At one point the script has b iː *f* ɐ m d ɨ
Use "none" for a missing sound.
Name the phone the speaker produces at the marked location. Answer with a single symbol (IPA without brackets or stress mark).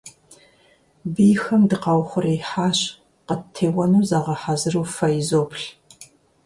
x